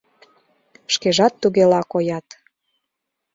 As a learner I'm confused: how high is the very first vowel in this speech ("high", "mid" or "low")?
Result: mid